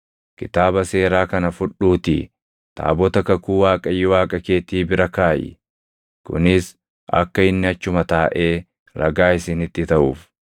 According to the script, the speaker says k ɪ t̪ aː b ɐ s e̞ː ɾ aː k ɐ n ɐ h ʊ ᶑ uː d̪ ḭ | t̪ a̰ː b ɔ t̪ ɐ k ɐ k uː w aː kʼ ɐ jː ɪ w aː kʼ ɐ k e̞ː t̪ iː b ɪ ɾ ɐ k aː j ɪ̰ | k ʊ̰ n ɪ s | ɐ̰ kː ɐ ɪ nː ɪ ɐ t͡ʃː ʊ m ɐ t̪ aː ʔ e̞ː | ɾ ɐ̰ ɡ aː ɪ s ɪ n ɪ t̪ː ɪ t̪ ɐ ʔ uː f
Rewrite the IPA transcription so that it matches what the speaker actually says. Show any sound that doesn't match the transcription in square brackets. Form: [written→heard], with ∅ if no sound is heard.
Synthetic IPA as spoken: k ɪ t̪ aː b ɐ s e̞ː ɾ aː k ɐ n ɐ [h→f] ʊ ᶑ uː [d̪→t̪] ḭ | t̪ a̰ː b ɔ t̪ ɐ k ɐ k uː w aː kʼ ɐ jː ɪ w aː kʼ ɐ k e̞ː t̪ iː b ɪ ɾ ɐ k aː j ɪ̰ | k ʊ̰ n ɪ s | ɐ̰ kː ɐ ɪ nː ɪ ɐ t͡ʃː ʊ m ɐ t̪ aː ʔ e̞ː | ɾ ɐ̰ ɡ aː ɪ s ɪ n ɪ t̪ː ɪ t̪ ɐ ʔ uː f

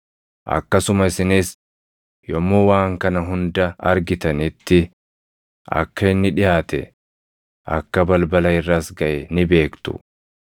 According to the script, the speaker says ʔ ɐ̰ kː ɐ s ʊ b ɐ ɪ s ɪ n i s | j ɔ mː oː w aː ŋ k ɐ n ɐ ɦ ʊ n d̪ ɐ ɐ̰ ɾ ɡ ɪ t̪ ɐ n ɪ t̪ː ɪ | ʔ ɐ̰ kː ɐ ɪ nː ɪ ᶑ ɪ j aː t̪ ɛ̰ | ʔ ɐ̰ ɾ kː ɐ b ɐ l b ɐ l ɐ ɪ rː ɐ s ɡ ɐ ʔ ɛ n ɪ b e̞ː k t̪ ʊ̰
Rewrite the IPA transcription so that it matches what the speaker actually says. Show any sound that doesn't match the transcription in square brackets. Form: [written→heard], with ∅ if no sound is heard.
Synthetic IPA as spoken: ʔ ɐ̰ kː ɐ s ʊ [b→m] ɐ ɪ s ɪ n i s | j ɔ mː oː w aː ŋ k ɐ n ɐ ɦ ʊ n d̪ ɐ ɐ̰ ɾ ɡ ɪ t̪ ɐ n ɪ t̪ː ɪ | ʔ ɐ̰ kː ɐ ɪ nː ɪ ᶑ ɪ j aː t̪ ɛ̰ | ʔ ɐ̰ [ɾ→∅] kː ɐ b ɐ l b ɐ l ɐ ɪ rː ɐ s ɡ ɐ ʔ ɛ n ɪ b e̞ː k t̪ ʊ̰

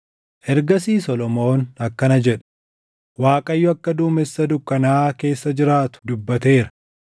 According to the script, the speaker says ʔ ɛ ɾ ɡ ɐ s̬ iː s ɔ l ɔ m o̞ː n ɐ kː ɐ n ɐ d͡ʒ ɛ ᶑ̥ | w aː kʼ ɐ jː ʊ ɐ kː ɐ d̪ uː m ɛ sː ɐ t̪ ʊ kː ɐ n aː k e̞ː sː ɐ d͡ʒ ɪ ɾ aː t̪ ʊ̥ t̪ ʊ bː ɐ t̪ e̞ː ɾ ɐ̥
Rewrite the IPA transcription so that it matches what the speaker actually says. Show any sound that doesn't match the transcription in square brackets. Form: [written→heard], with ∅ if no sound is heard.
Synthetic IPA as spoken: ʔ ɛ ɾ ɡ ɐ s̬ iː s ɔ l ɔ m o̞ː n ɐ kː ɐ n ɐ d͡ʒ ɛ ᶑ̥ | w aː kʼ ɐ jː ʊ ɐ kː ɐ d̪ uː m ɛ sː ɐ [t̪→d̪] ʊ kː ɐ n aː k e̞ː sː ɐ d͡ʒ ɪ ɾ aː t̪ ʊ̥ [t̪→d̪] ʊ bː ɐ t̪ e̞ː ɾ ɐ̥

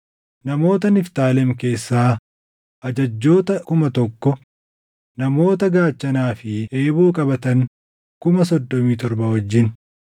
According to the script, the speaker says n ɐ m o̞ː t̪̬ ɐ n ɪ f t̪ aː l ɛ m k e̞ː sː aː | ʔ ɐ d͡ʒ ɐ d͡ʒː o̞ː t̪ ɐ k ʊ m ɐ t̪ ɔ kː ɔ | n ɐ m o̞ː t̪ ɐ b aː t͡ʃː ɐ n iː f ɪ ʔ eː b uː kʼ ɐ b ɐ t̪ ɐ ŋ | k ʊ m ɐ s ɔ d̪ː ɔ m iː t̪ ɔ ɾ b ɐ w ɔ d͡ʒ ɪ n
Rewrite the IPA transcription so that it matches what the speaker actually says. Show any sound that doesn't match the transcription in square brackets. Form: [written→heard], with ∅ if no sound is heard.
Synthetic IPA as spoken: n ɐ m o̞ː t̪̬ ɐ n ɪ f t̪ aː l ɛ m k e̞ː sː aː | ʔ ɐ d͡ʒ ɐ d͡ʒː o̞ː t̪ ɐ k ʊ m ɐ t̪ ɔ kː ɔ | n ɐ m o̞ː t̪ ɐ [b→ɡ] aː t͡ʃː ɐ n [iː→aː] f ɪ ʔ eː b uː kʼ ɐ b ɐ t̪ ɐ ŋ | k ʊ m ɐ s ɔ d̪ː ɔ m iː t̪ ɔ ɾ b ɐ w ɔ [d͡ʒ→d͡ʒː] ɪ n

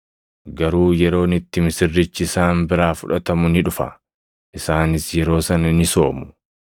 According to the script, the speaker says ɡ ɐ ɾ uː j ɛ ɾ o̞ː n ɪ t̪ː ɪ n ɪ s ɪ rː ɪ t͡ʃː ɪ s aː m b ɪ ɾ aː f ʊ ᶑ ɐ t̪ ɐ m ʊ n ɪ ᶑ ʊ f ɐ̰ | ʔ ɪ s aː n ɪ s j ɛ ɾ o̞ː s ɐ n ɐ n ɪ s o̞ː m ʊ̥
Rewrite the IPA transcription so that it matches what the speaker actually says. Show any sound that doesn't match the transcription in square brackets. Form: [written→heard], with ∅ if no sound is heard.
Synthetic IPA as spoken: ɡ ɐ ɾ uː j ɛ ɾ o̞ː n ɪ t̪ː ɪ [n→m] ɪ s ɪ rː ɪ t͡ʃː ɪ s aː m b ɪ ɾ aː f ʊ ᶑ ɐ t̪ ɐ m ʊ n ɪ ᶑ ʊ f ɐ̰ | ʔ ɪ s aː n ɪ s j ɛ ɾ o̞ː s ɐ n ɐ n ɪ s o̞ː m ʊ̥

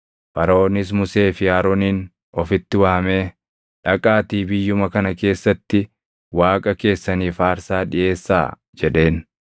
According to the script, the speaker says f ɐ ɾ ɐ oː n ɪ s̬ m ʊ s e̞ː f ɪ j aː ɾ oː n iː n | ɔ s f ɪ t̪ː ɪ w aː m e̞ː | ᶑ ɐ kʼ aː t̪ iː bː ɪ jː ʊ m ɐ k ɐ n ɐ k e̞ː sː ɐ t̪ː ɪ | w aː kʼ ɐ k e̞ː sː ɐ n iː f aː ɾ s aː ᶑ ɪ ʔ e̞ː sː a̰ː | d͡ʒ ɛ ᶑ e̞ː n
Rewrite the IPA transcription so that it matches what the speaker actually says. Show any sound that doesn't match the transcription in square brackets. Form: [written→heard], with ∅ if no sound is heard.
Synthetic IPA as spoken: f ɐ ɾ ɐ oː n ɪ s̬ m ʊ s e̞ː f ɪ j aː ɾ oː n iː n | ɔ [s→∅] f ɪ t̪ː ɪ w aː m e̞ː | ᶑ ɐ kʼ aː t̪ iː [bː→b] ɪ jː ʊ m ɐ k ɐ n ɐ k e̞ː sː ɐ t̪ː ɪ | w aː kʼ ɐ k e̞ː sː ɐ n iː f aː ɾ s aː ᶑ ɪ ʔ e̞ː sː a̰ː | d͡ʒ ɛ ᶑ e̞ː n

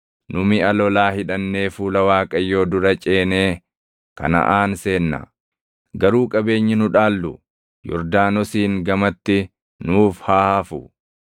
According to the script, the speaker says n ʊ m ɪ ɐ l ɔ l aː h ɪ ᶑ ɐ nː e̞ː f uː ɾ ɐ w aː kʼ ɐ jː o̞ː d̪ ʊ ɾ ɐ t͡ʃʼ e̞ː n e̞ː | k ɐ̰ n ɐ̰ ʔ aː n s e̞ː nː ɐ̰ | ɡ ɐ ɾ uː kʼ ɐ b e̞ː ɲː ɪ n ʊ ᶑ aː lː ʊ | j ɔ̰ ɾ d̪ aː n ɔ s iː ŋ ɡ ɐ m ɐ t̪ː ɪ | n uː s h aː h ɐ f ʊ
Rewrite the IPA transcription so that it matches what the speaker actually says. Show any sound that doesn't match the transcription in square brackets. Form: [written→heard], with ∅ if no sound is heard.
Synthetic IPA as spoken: n ʊ m ɪ ɐ l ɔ l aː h ɪ ᶑ ɐ nː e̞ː f uː [ɾ→l] ɐ w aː kʼ ɐ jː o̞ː d̪ ʊ ɾ ɐ t͡ʃʼ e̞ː n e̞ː | k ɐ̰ n ɐ̰ ʔ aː n s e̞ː nː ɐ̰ | ɡ ɐ ɾ uː kʼ ɐ b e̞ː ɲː ɪ n ʊ ᶑ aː lː ʊ | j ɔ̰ ɾ d̪ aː n ɔ s iː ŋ ɡ ɐ m ɐ t̪ː ɪ | n uː [s→f] h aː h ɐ f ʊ

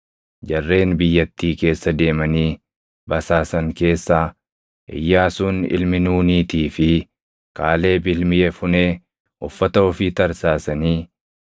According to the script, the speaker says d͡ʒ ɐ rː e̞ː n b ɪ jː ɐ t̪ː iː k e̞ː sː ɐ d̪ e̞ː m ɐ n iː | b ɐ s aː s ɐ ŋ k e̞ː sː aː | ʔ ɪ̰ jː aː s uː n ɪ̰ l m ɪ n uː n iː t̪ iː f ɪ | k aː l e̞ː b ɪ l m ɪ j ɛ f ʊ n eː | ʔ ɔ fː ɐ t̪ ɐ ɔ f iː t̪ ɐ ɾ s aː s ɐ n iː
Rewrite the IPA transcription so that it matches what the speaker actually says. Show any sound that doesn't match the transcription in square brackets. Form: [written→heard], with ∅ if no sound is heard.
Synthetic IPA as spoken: d͡ʒ ɐ rː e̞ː n b ɪ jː ɐ t̪ː iː k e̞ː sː ɐ d̪ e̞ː m ɐ n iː | b ɐ s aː s ɐ ŋ k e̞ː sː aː | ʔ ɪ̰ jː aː s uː n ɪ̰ l m ɪ n uː n iː t̪ iː f ɪ | k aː l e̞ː b ɪ l m ɪ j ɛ f ʊ n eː | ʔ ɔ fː ɐ t̪ ɐ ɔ f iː t̪ ɐ ɾ s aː s ɐ n iː

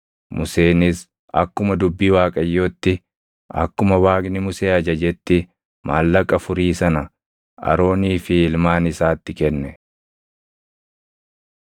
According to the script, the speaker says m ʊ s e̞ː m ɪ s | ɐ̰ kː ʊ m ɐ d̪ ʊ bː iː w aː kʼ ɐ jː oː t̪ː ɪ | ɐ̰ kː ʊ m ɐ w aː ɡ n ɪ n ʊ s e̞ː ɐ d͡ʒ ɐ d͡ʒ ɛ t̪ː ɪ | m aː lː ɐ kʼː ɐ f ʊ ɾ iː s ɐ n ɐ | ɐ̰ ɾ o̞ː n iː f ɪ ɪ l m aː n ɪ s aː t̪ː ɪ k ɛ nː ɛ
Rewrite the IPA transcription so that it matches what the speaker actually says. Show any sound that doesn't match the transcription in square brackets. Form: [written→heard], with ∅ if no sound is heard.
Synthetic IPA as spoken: m ʊ s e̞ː [m→n] ɪ s | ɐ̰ kː ʊ m ɐ d̪ ʊ bː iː w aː kʼ ɐ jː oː t̪ː ɪ | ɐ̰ kː ʊ m ɐ w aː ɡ n ɪ [n→m] ʊ s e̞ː ɐ d͡ʒ ɐ d͡ʒ ɛ t̪ː ɪ | m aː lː ɐ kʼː ɐ f ʊ ɾ iː s ɐ n ɐ | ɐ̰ ɾ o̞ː n iː f ɪ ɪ l m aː n ɪ s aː t̪ː ɪ k ɛ nː ɛ

